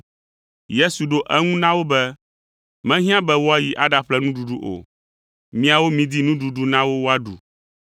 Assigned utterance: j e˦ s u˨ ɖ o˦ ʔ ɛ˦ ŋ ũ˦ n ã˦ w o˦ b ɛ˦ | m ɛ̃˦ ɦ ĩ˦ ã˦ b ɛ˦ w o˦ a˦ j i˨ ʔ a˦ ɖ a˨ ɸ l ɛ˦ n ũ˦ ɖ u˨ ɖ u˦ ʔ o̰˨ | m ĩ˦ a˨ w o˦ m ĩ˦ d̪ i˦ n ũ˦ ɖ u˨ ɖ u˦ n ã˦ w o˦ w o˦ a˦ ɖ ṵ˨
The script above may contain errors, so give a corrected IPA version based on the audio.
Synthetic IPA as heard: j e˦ s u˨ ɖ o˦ ʔ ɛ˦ ŋ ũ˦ n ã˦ w o˦ b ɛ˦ | m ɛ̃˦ ɦ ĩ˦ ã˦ b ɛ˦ w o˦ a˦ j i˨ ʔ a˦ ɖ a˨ ɸ l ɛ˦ n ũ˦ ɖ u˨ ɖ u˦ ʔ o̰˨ | m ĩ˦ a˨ w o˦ m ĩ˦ d̪ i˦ n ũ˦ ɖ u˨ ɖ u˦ n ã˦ w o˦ w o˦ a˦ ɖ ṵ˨